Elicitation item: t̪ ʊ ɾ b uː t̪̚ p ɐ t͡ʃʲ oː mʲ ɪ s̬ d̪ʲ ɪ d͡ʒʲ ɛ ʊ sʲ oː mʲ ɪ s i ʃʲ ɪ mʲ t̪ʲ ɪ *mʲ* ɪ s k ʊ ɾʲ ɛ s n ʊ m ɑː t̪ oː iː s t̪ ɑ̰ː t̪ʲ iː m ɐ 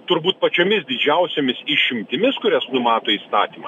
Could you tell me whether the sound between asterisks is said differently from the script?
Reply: no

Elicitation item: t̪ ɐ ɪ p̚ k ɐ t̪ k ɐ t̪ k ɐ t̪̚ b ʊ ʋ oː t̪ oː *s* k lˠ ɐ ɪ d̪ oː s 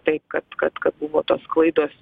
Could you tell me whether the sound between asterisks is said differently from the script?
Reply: no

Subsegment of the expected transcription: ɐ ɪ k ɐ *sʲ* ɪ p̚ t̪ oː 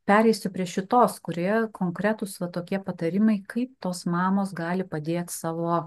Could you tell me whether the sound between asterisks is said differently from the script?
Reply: yes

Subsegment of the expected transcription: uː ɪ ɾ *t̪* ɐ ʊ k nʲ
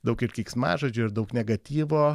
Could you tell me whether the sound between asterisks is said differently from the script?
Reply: yes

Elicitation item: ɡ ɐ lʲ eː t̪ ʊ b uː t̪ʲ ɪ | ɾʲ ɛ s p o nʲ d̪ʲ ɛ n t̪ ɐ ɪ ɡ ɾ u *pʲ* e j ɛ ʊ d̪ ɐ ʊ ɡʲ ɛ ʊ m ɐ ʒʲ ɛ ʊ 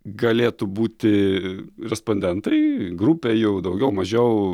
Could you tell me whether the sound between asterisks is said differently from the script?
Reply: no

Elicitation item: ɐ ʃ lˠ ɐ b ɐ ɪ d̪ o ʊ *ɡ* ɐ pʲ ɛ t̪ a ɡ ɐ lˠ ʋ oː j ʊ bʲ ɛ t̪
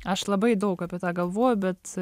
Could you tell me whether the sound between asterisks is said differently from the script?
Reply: yes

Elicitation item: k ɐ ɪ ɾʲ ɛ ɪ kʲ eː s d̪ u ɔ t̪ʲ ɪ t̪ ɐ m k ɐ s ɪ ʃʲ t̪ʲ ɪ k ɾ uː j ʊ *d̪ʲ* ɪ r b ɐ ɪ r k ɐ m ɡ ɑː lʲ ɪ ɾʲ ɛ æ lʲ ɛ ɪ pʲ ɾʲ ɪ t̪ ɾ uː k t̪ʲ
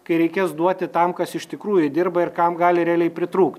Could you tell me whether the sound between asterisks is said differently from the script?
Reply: no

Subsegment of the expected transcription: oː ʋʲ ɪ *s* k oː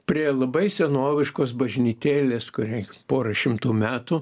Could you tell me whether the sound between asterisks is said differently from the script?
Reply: yes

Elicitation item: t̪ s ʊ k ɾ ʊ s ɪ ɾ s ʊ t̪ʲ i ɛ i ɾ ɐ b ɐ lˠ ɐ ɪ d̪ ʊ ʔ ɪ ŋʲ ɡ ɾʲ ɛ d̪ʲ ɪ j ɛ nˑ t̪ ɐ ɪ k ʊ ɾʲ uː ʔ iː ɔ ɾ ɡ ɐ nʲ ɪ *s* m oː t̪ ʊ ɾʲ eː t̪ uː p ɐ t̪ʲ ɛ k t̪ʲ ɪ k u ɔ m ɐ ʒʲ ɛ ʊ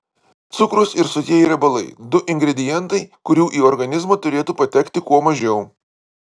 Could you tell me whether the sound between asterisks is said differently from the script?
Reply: yes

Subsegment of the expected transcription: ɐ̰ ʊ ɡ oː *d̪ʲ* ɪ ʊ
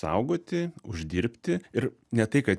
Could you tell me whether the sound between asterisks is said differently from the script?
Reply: yes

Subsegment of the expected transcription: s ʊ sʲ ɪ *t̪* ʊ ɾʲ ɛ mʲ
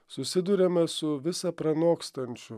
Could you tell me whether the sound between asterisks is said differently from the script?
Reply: yes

